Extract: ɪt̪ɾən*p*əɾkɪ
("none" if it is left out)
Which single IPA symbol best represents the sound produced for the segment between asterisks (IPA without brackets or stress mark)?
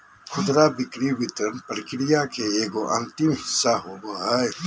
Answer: p